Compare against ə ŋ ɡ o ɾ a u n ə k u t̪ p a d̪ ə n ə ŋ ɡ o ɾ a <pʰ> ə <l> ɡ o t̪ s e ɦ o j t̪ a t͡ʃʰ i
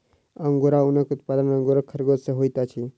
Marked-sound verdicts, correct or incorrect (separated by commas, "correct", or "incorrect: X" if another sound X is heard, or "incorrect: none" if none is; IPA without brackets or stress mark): incorrect: kʰ, incorrect: ɾ